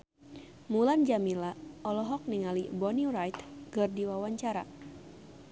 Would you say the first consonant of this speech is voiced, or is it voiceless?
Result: voiced